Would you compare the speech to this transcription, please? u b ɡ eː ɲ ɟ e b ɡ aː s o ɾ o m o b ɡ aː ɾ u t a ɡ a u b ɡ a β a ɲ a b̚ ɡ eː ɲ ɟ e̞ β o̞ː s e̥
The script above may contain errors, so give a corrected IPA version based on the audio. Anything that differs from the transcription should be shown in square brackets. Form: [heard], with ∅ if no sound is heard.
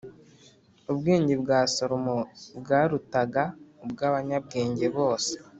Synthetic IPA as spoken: u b ɡ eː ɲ ɟ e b ɡ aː s o ɾ o m o b ɡ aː ɾ u t a ɡ a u b ɡ a β a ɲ a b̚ ɡ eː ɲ ɟ e̞ β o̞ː s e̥